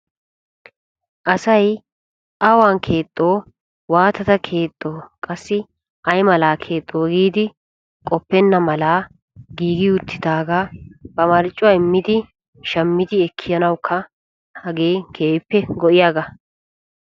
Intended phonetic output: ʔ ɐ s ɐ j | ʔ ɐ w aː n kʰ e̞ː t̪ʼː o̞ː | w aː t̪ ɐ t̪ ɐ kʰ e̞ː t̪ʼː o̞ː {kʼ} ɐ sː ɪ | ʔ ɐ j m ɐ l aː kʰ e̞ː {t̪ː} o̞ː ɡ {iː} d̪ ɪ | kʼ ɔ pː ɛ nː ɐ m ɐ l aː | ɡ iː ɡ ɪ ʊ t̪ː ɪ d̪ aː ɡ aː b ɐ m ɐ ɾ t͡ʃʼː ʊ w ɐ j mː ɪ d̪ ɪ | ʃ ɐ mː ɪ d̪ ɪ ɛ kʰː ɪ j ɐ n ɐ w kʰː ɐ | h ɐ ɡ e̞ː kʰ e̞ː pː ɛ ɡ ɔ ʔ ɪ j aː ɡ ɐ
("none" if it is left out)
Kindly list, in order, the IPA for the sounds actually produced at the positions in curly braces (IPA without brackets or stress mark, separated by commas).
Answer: kʼ, t̪ʼː, iː